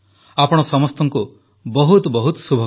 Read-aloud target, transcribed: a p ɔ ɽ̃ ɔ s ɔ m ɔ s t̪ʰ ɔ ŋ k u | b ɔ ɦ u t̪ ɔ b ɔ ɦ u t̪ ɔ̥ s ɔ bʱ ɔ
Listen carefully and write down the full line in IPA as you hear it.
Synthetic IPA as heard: a p ɔ ɽ̃ ɔ s ɔ m ɔ s t̪ ɔ ŋ k u | b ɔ ɦ u t̪ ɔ b ɔ ɦ u t̪ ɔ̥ s u bʱ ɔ